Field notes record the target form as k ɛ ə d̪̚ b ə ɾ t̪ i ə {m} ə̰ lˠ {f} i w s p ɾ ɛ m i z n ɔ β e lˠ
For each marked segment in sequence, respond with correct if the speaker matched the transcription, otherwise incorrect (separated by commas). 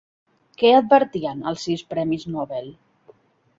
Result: incorrect, incorrect